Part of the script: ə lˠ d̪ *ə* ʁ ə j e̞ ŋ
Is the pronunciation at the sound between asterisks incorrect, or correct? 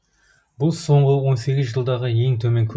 incorrect